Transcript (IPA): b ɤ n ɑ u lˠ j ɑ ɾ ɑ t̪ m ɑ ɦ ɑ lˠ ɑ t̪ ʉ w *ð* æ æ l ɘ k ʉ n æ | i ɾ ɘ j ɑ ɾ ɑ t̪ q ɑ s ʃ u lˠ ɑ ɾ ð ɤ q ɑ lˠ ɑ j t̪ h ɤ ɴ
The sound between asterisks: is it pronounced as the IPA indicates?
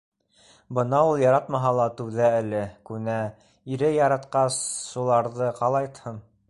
yes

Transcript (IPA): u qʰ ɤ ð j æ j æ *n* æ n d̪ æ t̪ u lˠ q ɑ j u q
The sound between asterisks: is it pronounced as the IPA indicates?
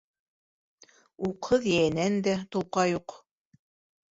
yes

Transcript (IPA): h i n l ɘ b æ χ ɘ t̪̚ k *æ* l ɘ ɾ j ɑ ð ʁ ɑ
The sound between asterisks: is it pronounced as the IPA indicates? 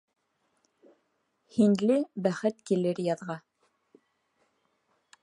no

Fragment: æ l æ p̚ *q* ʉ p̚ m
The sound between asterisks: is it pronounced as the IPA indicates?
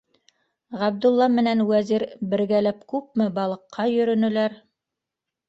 no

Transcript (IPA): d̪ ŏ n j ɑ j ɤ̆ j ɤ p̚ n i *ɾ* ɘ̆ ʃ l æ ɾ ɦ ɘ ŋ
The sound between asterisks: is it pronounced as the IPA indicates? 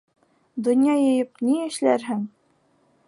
no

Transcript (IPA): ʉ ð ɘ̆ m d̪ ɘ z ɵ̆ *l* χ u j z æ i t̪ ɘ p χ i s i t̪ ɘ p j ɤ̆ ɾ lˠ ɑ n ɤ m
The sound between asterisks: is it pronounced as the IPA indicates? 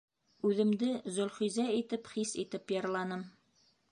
yes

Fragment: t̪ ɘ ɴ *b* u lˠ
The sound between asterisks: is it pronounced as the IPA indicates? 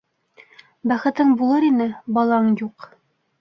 yes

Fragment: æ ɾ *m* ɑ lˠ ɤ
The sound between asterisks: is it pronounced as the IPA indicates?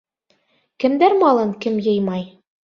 yes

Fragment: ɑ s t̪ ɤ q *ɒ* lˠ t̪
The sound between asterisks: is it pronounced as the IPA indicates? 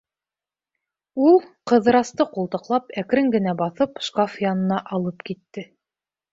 no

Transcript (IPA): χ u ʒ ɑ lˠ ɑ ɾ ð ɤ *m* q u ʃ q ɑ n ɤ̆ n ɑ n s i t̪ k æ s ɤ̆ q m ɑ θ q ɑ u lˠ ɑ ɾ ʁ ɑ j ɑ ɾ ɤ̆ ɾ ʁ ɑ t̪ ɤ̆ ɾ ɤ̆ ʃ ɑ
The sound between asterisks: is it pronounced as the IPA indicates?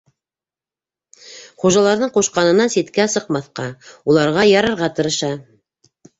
no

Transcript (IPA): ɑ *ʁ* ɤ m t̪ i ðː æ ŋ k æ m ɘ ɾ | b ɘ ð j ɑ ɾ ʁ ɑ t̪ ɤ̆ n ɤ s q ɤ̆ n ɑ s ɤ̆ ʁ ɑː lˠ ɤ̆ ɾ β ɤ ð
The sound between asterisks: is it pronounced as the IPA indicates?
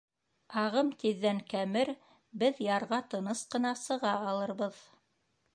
yes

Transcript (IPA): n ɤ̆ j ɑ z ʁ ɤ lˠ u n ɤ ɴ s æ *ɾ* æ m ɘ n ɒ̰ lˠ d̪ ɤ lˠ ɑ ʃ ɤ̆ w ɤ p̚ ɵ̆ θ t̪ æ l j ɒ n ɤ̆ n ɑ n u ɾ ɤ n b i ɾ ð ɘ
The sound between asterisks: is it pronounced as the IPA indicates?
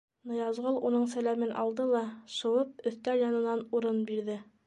no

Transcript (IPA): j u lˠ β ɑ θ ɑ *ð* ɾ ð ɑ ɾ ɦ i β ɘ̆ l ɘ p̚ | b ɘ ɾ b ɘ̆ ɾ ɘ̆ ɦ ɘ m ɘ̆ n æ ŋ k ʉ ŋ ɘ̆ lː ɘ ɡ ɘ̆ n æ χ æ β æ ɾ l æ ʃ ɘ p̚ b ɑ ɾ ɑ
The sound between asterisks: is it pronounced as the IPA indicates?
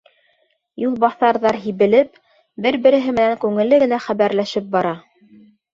no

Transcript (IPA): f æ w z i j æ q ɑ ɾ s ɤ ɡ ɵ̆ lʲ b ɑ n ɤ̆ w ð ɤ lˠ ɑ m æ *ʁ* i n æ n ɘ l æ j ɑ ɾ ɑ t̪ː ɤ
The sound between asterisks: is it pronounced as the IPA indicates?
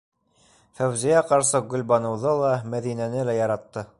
no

